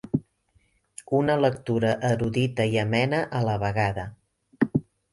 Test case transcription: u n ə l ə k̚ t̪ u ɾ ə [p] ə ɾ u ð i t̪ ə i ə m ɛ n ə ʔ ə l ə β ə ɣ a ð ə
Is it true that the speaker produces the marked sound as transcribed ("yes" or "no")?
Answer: no